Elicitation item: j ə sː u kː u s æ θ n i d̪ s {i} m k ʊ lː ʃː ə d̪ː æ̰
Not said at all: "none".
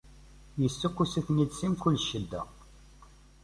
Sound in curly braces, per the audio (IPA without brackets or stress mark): i